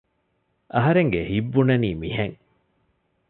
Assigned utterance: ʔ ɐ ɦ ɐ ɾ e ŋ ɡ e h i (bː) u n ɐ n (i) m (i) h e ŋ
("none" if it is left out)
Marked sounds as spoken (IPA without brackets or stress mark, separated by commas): bː, iː, i